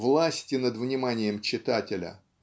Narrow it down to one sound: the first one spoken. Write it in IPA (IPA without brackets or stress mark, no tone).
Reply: v